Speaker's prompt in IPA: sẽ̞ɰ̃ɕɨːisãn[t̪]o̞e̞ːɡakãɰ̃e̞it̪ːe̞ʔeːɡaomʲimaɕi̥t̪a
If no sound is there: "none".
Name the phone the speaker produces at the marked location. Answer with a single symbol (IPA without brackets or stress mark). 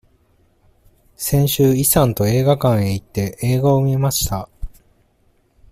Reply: t̪